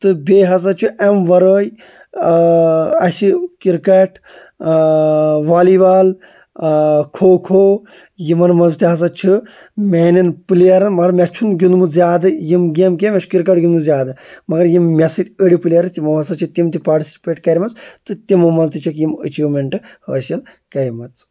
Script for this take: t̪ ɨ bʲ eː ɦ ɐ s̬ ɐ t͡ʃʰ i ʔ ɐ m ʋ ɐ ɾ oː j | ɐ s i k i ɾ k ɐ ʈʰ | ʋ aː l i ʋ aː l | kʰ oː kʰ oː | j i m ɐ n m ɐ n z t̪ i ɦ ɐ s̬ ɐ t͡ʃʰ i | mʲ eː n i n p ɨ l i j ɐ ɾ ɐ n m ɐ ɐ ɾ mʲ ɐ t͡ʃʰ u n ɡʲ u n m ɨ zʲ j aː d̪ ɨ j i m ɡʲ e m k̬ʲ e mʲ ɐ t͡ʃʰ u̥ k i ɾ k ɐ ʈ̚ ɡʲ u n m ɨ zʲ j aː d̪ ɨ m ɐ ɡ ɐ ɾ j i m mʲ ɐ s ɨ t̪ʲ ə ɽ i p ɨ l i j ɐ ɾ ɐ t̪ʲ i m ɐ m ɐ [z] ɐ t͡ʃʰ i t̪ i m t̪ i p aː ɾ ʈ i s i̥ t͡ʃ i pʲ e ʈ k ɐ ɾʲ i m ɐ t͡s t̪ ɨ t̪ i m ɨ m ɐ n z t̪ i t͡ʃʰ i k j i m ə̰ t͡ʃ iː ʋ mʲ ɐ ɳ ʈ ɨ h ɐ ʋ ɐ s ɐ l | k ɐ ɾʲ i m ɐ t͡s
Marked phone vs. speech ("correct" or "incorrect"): incorrect